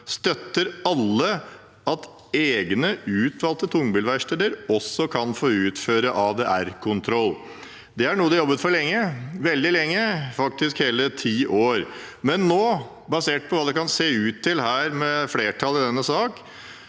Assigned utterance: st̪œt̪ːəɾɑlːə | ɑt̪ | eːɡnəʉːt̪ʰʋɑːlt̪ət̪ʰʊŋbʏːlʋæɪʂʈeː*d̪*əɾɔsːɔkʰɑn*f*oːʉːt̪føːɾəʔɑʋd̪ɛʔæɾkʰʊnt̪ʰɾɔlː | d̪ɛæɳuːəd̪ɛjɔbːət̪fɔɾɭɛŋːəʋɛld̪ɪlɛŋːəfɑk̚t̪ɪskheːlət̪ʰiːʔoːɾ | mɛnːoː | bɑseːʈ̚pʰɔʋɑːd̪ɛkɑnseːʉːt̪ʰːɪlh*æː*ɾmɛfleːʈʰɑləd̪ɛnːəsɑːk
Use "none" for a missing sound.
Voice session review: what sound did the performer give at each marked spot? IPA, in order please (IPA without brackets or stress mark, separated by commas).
d̪, f, æː